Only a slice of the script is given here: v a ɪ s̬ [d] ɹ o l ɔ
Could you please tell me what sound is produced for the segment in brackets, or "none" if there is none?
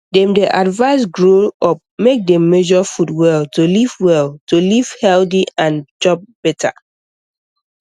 ɡ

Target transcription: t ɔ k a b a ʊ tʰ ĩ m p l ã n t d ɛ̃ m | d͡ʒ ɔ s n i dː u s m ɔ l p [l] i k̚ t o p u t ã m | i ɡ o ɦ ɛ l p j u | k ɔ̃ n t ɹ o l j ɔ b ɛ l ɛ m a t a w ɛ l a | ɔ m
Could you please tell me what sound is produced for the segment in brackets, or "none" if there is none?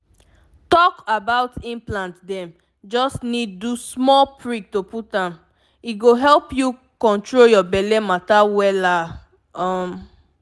ɹ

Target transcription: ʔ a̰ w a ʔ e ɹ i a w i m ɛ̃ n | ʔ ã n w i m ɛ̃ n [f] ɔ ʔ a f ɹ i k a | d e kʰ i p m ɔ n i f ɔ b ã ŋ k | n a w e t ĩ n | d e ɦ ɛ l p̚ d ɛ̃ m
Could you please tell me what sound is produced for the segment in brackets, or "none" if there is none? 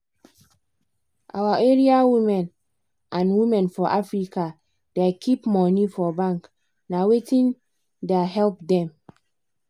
f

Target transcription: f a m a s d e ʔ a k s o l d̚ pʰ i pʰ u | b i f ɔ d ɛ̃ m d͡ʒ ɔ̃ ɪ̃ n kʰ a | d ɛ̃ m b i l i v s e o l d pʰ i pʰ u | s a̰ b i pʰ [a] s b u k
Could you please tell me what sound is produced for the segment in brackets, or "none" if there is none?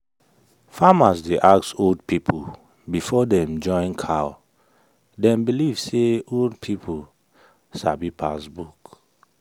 a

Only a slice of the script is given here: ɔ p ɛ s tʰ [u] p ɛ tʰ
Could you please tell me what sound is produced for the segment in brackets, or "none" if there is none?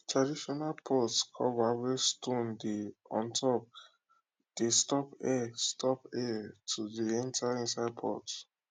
ɔ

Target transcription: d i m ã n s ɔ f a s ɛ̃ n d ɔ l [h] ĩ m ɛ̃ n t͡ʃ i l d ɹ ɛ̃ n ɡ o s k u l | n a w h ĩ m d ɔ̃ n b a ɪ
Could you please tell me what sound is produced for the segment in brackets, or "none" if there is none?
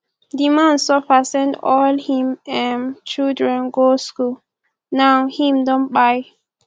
h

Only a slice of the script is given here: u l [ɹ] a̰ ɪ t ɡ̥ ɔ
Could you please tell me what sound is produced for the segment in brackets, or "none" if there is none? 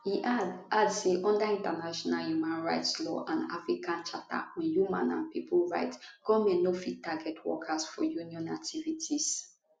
ɹ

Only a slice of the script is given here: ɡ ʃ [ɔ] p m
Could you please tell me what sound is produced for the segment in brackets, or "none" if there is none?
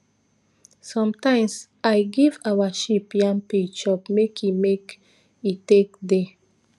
ɔ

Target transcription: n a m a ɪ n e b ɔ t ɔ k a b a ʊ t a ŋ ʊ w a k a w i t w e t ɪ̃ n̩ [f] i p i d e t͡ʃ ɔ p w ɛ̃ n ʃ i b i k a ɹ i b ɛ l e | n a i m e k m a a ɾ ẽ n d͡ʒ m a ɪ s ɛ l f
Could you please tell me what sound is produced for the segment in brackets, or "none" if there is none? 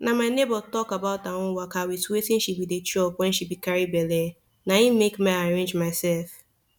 ʃ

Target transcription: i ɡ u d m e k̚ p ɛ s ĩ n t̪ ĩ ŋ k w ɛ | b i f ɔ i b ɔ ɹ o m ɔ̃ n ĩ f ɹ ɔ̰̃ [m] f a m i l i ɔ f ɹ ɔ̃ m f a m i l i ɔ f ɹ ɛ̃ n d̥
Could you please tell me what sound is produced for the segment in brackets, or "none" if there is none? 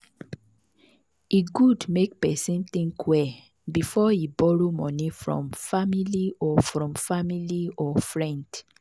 m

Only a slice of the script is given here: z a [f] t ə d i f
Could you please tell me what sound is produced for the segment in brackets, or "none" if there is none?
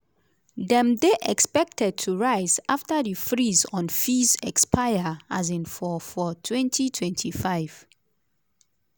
f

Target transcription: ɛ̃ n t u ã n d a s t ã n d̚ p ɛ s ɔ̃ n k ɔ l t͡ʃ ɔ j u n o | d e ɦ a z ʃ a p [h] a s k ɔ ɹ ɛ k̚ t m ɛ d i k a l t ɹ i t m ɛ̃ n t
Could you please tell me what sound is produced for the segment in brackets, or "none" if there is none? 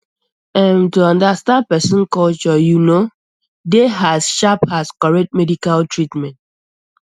h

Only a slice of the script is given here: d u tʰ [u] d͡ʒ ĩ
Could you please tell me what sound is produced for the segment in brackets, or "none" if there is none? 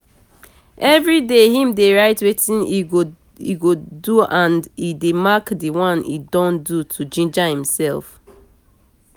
u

